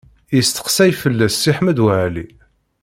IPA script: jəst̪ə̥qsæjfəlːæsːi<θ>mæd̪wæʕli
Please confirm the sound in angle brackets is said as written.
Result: no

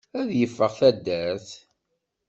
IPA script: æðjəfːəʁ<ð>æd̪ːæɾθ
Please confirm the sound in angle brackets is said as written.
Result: no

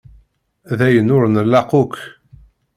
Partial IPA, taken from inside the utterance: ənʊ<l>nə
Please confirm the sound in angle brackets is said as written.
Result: no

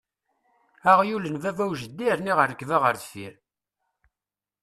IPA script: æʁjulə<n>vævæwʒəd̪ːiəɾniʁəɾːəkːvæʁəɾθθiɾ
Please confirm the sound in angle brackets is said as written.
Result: yes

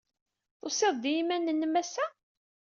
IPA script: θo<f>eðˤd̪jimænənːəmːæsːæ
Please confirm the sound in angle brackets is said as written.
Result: no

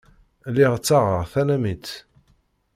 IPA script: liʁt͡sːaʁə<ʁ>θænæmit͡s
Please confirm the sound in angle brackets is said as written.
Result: yes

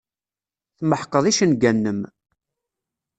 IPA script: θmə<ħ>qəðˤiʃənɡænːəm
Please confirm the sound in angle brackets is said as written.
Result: yes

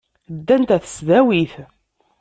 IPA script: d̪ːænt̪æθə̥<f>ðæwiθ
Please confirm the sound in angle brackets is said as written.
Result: no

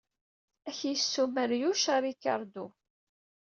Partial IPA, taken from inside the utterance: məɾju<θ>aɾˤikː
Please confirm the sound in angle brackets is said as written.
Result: no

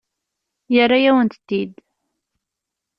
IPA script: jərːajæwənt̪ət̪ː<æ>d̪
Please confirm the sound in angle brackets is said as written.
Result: no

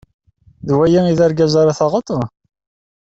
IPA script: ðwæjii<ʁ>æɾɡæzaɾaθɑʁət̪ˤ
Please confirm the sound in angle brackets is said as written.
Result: no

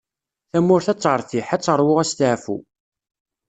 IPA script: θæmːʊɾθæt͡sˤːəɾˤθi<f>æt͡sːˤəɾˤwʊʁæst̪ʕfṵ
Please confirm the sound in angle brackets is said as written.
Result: no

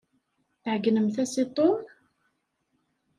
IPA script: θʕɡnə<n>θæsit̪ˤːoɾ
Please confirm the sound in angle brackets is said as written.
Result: no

